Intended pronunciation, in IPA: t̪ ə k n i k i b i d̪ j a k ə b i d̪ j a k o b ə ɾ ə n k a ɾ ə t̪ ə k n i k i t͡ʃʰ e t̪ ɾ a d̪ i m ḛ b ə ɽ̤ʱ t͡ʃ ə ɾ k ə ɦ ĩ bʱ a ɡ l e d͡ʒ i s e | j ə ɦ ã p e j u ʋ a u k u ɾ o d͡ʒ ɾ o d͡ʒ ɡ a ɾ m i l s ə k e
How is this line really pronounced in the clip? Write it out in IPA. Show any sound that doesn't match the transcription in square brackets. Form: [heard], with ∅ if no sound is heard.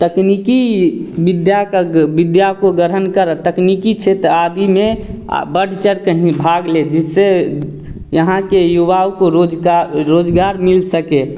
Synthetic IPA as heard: t̪ ə k n i k i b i d̪ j a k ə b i d̪ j a k o [ɡ] ə ɾ ə n k [ə] ɾ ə t̪ ə k n i k i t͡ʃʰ e t̪ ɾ a d̪ i m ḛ b ə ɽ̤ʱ t͡ʃ ə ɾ k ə ɦ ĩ bʱ a ɡ l e d͡ʒ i s e | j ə ɦ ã [k] e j u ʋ a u k [o] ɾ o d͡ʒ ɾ o d͡ʒ ɡ a ɾ m i l s ə k e